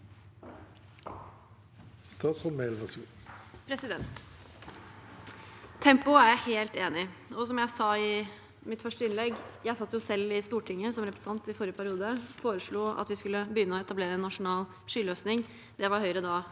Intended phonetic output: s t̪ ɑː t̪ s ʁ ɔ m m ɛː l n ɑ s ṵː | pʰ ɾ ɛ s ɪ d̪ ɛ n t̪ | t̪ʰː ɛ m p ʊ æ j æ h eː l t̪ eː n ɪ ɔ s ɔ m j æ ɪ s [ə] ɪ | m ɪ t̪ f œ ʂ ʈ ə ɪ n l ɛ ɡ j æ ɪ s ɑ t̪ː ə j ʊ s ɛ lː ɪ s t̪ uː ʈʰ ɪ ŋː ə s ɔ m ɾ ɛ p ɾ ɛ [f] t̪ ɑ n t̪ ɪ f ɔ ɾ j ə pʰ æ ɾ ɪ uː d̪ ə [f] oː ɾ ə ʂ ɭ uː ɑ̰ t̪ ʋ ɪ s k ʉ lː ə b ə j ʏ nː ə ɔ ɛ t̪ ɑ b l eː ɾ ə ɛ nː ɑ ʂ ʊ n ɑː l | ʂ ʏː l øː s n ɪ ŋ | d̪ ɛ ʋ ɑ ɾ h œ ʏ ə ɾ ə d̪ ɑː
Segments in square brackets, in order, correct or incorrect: incorrect: ɑ, incorrect: s, correct

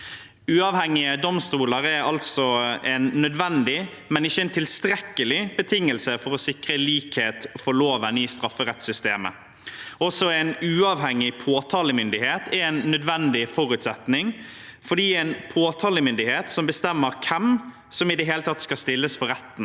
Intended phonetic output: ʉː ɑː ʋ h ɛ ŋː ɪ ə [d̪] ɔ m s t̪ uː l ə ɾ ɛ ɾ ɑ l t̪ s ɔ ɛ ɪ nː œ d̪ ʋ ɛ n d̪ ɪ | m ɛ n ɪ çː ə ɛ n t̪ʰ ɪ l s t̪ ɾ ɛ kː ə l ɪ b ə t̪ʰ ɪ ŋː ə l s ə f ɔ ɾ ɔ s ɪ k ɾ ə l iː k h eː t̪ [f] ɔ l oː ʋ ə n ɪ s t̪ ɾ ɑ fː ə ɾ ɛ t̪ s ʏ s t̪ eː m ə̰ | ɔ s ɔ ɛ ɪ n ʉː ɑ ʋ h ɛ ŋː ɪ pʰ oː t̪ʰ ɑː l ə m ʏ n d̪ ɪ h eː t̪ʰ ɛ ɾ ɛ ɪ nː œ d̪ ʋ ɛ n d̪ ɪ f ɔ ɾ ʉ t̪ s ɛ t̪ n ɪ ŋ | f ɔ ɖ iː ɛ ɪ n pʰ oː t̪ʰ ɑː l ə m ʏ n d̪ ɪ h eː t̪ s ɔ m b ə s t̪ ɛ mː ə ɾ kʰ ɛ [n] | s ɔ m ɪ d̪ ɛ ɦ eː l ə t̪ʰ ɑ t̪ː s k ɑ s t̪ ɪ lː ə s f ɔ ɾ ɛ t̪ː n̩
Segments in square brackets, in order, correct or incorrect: correct, correct, incorrect: m

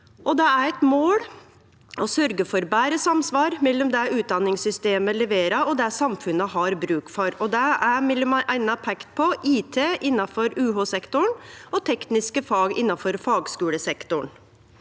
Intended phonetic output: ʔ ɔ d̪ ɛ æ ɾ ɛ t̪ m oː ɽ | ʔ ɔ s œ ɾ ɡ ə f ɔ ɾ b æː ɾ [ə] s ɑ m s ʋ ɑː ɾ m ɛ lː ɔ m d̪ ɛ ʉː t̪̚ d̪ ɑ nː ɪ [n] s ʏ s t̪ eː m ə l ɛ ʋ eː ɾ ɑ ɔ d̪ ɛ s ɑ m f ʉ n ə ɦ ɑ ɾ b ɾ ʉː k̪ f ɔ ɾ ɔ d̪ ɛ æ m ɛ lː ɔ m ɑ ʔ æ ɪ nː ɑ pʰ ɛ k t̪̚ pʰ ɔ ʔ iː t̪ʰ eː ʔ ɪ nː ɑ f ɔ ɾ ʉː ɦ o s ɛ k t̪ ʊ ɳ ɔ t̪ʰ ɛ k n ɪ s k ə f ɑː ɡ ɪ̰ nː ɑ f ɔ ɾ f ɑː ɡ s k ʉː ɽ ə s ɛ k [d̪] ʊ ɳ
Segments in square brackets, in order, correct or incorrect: correct, incorrect: ŋ, incorrect: t̪

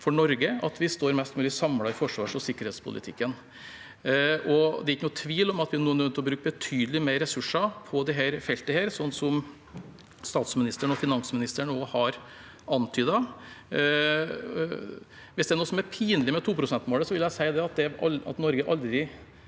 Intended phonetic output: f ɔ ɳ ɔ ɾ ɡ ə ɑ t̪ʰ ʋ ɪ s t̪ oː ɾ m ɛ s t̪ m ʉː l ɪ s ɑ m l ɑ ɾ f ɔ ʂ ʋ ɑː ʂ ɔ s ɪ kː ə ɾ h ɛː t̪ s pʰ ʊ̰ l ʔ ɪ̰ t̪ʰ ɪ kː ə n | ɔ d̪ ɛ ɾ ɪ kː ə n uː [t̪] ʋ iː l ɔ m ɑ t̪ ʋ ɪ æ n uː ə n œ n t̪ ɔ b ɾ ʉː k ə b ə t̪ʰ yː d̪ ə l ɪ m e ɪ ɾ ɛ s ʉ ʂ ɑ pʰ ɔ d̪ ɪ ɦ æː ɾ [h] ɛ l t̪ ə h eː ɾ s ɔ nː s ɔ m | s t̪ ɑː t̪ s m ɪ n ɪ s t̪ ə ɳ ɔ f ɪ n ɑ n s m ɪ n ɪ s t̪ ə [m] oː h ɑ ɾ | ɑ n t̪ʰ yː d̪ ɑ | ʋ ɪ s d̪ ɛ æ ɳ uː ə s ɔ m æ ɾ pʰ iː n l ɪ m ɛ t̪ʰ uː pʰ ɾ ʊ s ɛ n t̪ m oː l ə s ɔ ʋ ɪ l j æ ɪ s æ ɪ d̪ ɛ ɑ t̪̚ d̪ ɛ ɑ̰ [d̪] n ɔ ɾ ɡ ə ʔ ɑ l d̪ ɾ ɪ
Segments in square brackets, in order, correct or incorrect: incorrect: t̪ʰ, incorrect: f, incorrect: ɳ, incorrect: t̪

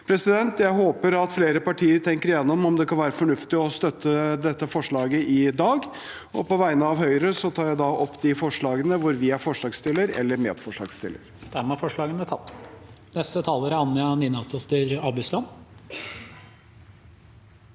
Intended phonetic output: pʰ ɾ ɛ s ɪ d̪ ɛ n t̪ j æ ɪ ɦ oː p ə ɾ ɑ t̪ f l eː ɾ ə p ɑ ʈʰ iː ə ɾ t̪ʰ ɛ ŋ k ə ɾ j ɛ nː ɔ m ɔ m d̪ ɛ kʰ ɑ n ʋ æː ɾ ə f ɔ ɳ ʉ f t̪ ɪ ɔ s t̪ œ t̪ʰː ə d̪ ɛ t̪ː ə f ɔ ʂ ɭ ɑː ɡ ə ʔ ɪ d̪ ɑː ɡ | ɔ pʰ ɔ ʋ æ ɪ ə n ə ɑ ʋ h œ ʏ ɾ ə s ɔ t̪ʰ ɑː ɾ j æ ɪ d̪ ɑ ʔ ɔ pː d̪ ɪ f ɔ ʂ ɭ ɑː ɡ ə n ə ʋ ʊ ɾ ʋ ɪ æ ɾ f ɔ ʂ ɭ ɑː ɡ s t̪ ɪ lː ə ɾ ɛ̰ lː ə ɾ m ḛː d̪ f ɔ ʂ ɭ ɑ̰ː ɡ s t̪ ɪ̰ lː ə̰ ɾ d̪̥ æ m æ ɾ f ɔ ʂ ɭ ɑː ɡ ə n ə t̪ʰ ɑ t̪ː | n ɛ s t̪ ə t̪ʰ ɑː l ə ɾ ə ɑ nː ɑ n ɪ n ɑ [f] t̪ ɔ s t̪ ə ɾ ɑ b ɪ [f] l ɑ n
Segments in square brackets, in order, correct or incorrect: incorrect: s, incorrect: s

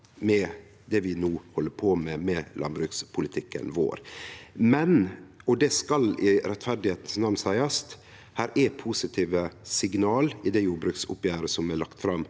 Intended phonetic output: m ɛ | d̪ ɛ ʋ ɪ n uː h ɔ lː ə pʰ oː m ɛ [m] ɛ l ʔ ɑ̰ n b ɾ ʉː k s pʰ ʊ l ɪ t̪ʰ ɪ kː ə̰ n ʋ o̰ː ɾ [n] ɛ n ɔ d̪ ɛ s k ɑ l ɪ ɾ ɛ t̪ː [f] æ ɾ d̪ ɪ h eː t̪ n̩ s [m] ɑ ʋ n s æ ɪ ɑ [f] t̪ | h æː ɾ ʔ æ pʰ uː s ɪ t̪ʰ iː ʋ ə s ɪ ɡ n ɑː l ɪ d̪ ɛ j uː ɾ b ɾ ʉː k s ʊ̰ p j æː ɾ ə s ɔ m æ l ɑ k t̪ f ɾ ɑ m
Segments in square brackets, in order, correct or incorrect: correct, incorrect: m, correct, incorrect: n, incorrect: s

